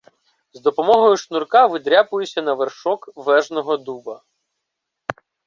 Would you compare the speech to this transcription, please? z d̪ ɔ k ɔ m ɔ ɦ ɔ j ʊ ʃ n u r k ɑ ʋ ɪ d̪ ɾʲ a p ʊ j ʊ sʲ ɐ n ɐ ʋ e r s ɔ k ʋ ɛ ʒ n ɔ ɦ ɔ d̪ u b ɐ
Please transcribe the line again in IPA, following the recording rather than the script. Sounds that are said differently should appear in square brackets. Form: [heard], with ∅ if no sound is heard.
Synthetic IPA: z d̪ ɔ [p] ɔ m ɔ ɦ ɔ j ʊ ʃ n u r k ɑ ʋ ɪ d̪ ɾʲ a p ʊ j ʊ sʲ ɐ n ɐ ʋ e r [ʃ] ɔ k ʋ ɛ ʒ n ɔ ɦ ɔ d̪ u b ɐ